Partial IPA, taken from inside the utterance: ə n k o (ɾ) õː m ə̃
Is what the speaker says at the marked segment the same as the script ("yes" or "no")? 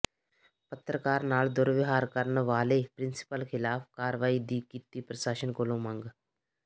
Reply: no